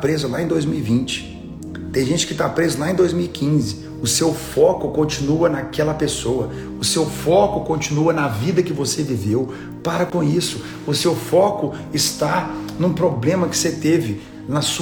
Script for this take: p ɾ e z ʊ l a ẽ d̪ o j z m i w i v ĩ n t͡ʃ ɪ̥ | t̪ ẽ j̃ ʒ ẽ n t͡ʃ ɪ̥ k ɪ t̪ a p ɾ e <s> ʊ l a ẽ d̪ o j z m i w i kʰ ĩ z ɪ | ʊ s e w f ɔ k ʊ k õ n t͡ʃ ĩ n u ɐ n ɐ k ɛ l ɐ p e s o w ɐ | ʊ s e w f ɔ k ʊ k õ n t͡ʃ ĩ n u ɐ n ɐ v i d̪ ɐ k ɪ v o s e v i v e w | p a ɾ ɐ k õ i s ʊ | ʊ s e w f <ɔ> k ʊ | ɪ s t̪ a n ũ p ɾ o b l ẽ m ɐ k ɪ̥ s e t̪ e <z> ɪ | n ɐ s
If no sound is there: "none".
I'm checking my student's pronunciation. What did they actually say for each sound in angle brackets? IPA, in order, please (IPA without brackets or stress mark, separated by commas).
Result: z, ɔ, v